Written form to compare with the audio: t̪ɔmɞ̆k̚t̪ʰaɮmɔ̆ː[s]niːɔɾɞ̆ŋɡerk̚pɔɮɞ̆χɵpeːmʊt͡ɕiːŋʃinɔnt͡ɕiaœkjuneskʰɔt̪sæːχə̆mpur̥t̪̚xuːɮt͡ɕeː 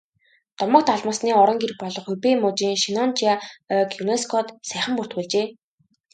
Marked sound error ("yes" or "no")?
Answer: no